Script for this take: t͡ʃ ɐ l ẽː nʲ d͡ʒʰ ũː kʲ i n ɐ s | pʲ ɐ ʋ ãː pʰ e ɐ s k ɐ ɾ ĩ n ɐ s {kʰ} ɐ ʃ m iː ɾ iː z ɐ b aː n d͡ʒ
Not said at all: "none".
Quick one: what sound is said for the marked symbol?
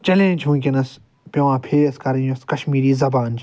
k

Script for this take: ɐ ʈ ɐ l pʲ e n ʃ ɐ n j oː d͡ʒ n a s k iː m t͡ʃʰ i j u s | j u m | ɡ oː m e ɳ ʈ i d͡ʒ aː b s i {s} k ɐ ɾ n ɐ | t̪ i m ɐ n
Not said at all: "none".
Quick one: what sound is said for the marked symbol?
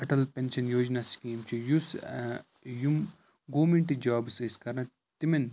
s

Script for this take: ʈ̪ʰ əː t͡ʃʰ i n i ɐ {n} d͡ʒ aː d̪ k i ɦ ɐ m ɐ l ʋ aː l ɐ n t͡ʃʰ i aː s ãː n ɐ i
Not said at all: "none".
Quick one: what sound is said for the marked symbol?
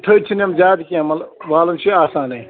m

